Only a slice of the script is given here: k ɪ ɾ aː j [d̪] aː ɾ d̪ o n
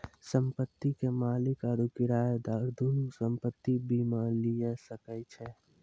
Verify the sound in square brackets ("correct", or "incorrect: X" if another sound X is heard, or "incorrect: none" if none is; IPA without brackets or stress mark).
correct